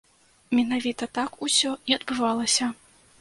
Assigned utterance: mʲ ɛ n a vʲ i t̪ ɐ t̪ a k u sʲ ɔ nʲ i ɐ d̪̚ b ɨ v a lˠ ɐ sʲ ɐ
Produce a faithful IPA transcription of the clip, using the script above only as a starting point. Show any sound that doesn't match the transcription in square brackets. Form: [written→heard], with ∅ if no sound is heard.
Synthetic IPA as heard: mʲ ɛ n a vʲ i t̪ ɐ t̪ a k u sʲ ɔ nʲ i ɐ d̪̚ b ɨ v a lˠ ɐ sʲ ɐ